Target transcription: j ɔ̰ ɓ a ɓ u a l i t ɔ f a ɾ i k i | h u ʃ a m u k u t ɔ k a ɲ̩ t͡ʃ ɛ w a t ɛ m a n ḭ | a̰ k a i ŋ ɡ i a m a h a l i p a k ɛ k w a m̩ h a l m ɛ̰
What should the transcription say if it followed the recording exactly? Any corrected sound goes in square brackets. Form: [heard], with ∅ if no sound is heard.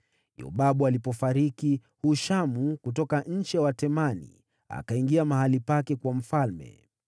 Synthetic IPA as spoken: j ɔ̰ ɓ a ɓ u a l i [p] ɔ f a ɾ i k i | h u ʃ a m u k u t ɔ k a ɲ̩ t͡ʃ ɛ w a t ɛ m a n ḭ | a̰ k a i ŋ ɡ i a m a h a l i p a k ɛ k w a m̩ [f] a l m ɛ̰